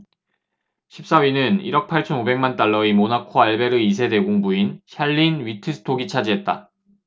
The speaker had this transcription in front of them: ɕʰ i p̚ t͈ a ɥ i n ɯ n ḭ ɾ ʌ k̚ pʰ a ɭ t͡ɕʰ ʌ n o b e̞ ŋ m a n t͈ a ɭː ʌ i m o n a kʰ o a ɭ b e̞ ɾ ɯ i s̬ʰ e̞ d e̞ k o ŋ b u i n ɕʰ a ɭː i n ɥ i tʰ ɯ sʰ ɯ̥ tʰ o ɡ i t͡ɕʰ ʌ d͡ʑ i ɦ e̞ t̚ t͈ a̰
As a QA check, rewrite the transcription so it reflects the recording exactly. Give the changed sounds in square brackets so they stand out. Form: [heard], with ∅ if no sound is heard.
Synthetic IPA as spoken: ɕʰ i p̚ [s͈] a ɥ i n ɯ n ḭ ɾ ʌ k̚ pʰ a ɭ t͡ɕʰ ʌ n o b e̞ ŋ m a n t͈ a ɭː ʌ i m o n a kʰ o a ɭ b e̞ ɾ ɯ i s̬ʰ e̞ d e̞ [ɡ] o ŋ b u i n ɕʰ a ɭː i n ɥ i tʰ ɯ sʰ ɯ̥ tʰ o ɡ i t͡ɕʰ [a] d͡ʑ i ɦ e̞ t̚ t͈ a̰